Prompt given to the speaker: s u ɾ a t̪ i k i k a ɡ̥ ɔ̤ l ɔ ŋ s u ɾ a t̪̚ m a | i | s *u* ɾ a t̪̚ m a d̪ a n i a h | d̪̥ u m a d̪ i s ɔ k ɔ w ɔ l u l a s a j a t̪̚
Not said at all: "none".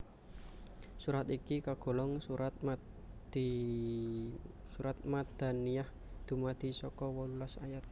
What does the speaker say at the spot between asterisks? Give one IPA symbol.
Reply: u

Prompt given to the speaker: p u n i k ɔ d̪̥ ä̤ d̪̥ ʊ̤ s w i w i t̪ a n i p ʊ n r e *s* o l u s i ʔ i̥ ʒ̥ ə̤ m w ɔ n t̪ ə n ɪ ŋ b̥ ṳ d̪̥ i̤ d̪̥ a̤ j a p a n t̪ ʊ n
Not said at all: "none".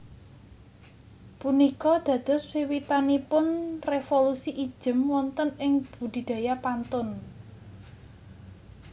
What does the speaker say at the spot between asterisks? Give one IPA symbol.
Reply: f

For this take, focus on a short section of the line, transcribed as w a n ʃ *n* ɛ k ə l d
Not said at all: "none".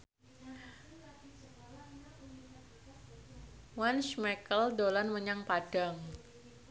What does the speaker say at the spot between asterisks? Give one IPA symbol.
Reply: m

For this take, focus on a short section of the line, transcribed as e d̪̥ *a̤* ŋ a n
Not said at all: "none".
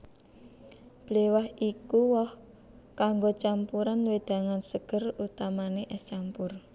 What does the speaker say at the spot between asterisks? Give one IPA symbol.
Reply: a̤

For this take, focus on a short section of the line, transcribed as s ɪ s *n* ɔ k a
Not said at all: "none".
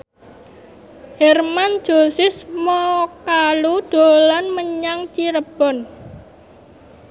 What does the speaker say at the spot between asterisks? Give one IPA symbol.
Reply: m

